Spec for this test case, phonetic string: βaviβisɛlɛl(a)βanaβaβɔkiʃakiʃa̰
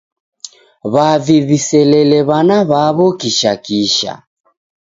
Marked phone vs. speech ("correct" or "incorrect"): incorrect